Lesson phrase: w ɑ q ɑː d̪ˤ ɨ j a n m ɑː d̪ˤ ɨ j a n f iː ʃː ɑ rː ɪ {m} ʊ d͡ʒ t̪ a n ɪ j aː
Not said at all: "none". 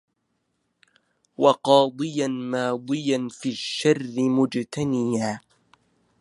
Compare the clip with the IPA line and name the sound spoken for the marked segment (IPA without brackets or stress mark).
m